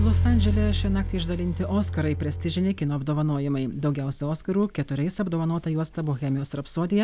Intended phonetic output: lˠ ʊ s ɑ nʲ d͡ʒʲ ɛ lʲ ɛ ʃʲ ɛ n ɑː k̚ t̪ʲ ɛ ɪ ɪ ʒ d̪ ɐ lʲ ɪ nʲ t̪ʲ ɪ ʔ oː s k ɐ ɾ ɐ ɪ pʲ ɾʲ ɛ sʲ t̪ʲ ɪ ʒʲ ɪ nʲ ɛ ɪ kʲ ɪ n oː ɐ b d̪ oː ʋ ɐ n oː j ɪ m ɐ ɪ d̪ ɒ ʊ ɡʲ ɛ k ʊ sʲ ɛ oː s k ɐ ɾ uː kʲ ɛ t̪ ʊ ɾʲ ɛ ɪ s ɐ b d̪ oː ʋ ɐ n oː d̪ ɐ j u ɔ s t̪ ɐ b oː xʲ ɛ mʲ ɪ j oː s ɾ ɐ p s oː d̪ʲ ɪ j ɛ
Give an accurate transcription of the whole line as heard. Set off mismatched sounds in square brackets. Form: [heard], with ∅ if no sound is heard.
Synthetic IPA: lˠ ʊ s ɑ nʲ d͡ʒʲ ɛ lʲ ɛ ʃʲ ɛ n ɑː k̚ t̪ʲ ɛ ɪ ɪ ʒ d̪ ɐ lʲ ɪ nʲ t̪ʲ ɪ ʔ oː s k ɐ ɾ ɐ ɪ pʲ ɾʲ ɛ sʲ t̪ʲ ɪ ʒʲ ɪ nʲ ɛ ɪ kʲ ɪ n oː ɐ b d̪ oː ʋ ɐ n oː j ɪ m ɐ ɪ d̪ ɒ ʊ ɡʲ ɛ [∅] ʊ sʲ ɛ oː s k ɐ ɾ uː kʲ ɛ t̪ ʊ ɾʲ ɛ ɪ s ɐ b d̪ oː ʋ ɐ n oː [t̪] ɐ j u ɔ s t̪ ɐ b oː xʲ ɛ mʲ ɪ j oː s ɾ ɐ p s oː d̪ʲ ɪ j ɛ